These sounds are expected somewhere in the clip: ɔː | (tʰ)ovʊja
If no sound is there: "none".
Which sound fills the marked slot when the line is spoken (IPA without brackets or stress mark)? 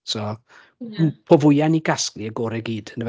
pʰ